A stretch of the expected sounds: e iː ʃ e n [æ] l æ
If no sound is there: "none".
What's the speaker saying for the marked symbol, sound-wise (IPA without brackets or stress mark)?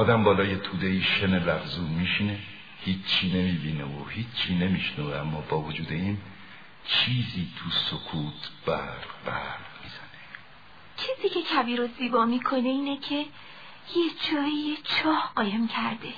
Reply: e